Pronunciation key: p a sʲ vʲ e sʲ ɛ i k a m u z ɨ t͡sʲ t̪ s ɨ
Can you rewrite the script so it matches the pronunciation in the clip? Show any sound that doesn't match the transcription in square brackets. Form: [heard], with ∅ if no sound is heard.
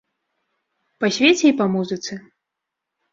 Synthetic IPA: p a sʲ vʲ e [t͡sʲ] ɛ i [p] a m u z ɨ [∅] t̪ s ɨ